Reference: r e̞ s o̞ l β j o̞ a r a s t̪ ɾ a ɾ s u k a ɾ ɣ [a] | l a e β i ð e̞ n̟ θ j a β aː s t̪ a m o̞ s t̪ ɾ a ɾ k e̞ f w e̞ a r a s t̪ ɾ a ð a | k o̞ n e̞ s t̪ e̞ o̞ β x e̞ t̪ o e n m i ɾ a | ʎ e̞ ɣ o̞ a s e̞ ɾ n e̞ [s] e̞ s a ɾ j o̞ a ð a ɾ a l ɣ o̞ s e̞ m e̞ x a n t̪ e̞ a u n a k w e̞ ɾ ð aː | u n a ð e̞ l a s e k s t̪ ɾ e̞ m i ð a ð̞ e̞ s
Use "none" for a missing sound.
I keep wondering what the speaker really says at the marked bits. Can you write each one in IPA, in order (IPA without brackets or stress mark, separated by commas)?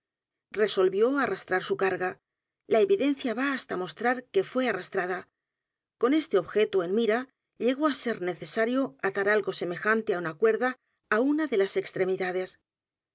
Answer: a, θ